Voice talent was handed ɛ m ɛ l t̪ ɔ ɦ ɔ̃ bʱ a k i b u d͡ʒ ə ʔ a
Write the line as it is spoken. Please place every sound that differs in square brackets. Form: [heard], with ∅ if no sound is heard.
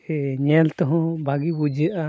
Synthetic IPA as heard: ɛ [ɲ] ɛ l t̪ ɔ ɦ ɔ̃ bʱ a [ɡ] i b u d͡ʒ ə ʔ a